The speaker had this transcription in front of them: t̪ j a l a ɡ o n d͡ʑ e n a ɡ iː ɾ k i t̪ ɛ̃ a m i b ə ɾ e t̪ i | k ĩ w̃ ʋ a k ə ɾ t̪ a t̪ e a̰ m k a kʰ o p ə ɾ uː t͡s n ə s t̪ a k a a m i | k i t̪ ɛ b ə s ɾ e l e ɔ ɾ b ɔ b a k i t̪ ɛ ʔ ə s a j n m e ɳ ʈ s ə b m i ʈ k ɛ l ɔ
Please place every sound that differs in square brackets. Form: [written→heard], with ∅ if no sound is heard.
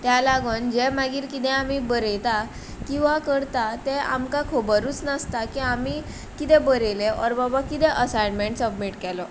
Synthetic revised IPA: t̪ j a l a ɡ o n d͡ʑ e [n→m] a ɡ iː ɾ k i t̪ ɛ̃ a m i b ə ɾ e t̪ [i→a] | k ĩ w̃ ʋ a k ə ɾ t̪ a t̪ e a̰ m k a kʰ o [p→b] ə ɾ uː t͡s n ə s t̪ a k [a→i] a m i | k i t̪ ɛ b ə [s→∅] ɾ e l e ɔ ɾ b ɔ b a k i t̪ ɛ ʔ ə s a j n m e ɳ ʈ s ə b m i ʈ k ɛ l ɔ